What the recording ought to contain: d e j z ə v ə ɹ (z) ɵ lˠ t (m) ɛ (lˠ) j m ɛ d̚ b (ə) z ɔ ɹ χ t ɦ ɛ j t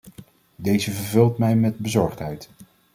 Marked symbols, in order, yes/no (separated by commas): no, yes, no, yes